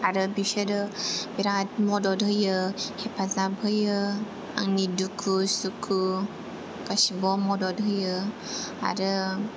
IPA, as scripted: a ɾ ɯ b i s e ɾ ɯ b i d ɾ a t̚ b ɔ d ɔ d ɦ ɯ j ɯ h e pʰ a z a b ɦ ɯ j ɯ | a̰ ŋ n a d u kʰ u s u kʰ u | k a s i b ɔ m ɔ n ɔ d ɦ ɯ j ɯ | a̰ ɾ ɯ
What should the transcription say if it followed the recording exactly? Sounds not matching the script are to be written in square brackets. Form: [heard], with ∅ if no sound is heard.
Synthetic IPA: a ɾ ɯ b i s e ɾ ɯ b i [∅] ɾ a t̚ [m] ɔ d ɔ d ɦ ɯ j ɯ h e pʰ a z a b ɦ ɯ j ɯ | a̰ ŋ n [i] d u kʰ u s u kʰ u | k a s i b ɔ m ɔ [d] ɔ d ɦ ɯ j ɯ | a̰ ɾ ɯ